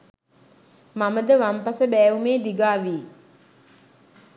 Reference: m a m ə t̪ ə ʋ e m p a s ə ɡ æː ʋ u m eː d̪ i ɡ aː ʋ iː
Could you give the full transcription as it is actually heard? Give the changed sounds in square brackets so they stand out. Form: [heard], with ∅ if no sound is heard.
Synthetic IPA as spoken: m a m ə [d̪] ə ʋ [a] m p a s ə [b] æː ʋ u m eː d̪ i ɡ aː ʋ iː